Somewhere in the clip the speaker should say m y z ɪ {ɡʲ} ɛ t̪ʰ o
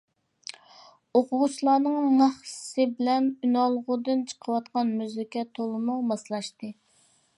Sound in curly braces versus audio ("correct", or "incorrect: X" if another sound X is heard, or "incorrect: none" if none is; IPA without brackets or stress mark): incorrect: kʲ